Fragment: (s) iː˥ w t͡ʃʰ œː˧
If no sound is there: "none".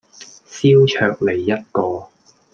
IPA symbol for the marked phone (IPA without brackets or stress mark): s